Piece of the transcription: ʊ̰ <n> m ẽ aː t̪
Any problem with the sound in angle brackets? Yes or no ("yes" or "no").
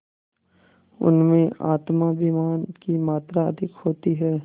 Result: no